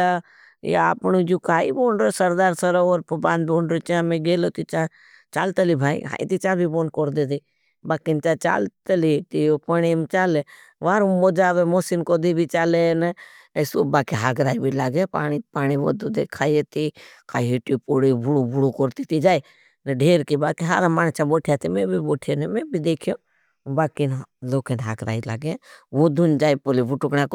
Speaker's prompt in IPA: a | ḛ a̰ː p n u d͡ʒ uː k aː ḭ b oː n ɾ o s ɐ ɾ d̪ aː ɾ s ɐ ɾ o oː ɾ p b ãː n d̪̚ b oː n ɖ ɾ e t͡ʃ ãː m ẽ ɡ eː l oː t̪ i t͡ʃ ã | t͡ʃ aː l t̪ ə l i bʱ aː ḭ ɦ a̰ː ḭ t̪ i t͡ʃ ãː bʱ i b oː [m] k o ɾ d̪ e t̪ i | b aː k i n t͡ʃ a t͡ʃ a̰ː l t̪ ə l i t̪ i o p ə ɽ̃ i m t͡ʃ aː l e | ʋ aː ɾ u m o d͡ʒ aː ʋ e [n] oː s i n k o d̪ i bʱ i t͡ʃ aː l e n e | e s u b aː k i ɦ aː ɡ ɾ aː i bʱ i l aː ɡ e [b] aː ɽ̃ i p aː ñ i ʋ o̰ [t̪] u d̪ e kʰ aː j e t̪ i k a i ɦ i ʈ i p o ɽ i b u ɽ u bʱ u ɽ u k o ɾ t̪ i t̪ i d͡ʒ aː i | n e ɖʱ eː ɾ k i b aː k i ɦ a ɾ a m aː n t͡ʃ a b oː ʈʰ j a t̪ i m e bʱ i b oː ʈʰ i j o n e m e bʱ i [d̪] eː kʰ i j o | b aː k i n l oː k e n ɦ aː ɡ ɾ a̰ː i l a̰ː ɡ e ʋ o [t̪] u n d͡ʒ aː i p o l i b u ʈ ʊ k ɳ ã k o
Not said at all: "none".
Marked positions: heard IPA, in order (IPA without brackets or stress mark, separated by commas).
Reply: n, m, p, d̪, d̪, d̪